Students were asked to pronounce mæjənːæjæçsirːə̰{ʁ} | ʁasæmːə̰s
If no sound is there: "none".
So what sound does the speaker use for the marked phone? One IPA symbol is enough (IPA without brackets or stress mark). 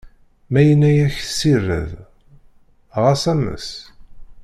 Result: ð